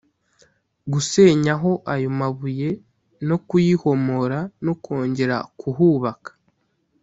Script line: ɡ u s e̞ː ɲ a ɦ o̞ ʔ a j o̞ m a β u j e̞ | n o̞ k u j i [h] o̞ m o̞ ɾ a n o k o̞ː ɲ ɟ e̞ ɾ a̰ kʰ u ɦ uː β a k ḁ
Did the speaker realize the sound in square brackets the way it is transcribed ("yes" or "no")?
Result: yes